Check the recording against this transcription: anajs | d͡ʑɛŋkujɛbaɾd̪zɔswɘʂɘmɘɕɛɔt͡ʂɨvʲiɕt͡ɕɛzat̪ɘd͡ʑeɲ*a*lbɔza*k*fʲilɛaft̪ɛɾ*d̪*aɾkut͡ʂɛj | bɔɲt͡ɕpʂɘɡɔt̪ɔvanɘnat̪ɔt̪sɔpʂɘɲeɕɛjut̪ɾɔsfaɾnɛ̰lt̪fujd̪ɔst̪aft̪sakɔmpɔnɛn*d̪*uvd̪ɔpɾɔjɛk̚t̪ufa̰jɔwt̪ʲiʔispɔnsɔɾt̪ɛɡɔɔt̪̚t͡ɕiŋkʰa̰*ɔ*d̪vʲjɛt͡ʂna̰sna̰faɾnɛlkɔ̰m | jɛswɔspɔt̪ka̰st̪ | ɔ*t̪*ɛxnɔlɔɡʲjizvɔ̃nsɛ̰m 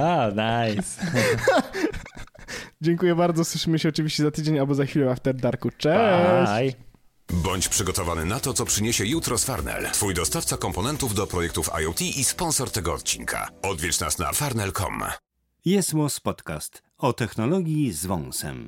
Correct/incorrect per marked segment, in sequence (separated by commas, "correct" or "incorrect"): correct, incorrect, correct, incorrect, correct, correct